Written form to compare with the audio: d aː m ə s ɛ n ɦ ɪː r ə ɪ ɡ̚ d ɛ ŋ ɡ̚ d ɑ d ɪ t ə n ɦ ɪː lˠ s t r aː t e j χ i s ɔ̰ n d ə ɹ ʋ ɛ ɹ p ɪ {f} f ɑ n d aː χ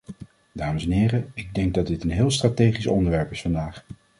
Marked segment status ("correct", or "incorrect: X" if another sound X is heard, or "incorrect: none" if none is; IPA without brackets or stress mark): incorrect: s